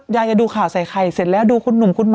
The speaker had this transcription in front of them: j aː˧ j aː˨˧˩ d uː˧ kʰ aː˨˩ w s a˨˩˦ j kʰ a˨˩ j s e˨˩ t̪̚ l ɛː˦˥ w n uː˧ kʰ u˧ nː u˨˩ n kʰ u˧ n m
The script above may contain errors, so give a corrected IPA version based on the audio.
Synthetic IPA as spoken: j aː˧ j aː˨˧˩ d uː˧ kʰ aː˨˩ w s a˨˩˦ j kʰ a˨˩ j s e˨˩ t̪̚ l ɛː˦˥ w d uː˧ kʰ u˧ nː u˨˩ m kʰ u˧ n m